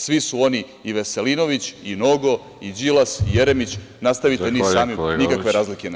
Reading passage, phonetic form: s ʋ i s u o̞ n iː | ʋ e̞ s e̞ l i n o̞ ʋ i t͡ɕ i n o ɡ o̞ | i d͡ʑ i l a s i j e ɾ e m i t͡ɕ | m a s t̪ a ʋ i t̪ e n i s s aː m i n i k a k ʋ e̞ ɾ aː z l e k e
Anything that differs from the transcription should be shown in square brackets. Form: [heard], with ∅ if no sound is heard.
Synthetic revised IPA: s ʋ i s u o̞ n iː | ʋ e̞ s e̞ l i n o̞ ʋ i t͡ɕ i n o ɡ o̞ | i d͡ʑ i l a s i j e ɾ e m i t͡ɕ | [n] a s t̪ a ʋ i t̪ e n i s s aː m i n i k a k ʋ e̞ ɾ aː z l [i] k e